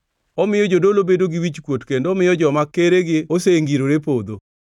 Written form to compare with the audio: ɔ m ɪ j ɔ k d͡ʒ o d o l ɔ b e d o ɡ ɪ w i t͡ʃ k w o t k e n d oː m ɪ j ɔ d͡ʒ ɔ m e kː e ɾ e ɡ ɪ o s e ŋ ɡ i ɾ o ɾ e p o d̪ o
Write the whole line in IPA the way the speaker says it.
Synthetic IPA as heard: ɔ m ɪ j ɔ d͡ʒ o d o l o b e d o ɡ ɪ w i t͡ʃ k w o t k e n d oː m ɪ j ɔ d͡ʒ ɔ m a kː e ɾ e ɡ ɪ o s e ŋ ɡ i ɾ o ɾ e p o d̪ o